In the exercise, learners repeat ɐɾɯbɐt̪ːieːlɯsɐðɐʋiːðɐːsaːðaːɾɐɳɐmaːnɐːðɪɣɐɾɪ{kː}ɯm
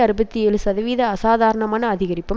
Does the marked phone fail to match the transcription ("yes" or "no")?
yes